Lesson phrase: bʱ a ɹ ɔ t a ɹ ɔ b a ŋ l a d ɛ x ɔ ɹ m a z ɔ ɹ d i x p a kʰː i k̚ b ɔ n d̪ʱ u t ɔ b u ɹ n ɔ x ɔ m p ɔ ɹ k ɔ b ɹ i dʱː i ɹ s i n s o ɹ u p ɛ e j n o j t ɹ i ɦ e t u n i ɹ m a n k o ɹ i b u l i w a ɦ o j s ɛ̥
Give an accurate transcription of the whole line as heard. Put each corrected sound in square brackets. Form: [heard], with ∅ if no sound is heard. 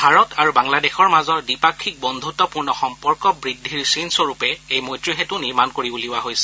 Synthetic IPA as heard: bʱ a ɹ ɔ t a ɹ [u] b a ŋ l a d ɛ x ɔ ɹ m a z ɔ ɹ d i [∅] p a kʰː i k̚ b ɔ n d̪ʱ u t ɔ [p] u ɹ n ɔ x ɔ m p ɔ ɹ k ɔ b ɹ i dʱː i ɹ s i n s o ɹ u p ɛ e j [m] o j t ɹ i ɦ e t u n i ɹ m a n k o ɹ i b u l i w a ɦ o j s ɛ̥

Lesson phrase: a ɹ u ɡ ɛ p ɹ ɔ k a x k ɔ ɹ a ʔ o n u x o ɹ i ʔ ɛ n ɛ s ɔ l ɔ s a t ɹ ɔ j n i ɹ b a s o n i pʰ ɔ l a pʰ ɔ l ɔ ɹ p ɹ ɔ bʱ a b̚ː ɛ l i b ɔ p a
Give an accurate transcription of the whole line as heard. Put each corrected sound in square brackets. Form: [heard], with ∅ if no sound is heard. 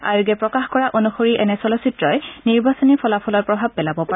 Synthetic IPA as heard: a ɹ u ɡ ɛ p ɹ ɔ k a x k ɔ ɹ a ʔ o n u x o ɹ i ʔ ɛ n ɛ s ɔ l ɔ s [i] t ɹ ɔ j n i ɹ b a s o n i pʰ ɔ l a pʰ ɔ l ɔ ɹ p ɹ ɔ bʱ a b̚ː ɛ l [a] b ɔ p a

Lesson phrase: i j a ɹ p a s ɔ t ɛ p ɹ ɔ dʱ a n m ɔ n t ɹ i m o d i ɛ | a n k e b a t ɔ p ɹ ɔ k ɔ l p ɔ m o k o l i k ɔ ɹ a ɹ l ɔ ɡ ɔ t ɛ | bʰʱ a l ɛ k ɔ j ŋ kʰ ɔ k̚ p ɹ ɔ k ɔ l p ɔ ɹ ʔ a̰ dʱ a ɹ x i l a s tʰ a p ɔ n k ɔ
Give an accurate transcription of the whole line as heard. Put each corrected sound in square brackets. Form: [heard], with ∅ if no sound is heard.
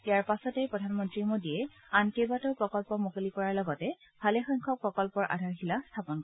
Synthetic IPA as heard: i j a ɹ p a s ɔ t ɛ p ɹ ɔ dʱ a n m ɔ n t ɹ i m o d i ɛ | a n k e b a t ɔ p ɹ ɔ k ɔ l p ɔ m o k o l i k ɔ ɹ a ɹ l ɔ ɡ ɔ t ɛ | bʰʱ a l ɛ [x] ɔ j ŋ kʰ ɔ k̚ p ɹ ɔ k ɔ l p ɔ ɹ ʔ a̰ dʱ a ɹ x i l a s tʰ a p ɔ n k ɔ

